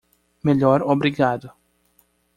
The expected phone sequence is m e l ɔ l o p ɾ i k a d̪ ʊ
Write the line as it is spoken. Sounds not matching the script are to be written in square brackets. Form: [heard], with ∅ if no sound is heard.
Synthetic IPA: m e [ʎ] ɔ [ɾ] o [b] ɾ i [ɡ] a d̪ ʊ